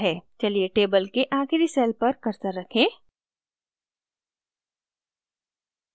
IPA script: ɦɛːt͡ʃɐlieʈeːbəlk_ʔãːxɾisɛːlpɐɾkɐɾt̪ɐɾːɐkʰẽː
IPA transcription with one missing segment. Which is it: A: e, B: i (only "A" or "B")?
A